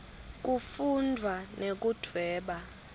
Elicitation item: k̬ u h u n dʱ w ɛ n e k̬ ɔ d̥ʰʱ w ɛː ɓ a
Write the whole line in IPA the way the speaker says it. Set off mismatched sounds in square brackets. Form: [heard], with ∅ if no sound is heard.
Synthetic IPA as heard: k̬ u [f] u n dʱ w [a] n e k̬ [u] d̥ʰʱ w ɛː ɓ a